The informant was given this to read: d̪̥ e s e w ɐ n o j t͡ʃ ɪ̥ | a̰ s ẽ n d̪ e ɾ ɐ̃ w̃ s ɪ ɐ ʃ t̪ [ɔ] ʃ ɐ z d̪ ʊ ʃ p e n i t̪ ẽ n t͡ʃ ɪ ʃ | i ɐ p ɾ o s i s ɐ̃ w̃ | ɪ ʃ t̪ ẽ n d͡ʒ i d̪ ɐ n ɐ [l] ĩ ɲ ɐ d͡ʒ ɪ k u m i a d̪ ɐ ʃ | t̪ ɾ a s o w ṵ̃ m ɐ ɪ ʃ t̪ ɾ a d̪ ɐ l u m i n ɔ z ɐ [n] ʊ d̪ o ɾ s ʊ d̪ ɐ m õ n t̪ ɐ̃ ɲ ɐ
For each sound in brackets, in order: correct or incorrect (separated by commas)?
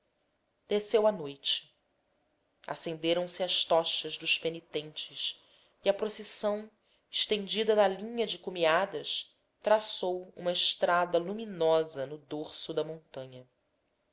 correct, correct, correct